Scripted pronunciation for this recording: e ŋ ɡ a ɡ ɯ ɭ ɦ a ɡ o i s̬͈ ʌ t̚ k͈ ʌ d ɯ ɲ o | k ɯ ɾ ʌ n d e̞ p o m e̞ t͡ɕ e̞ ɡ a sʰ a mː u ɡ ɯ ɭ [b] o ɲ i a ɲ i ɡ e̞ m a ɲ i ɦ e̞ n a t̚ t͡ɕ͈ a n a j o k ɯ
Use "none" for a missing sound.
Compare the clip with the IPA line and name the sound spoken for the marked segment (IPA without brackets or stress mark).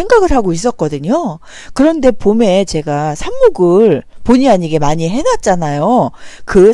p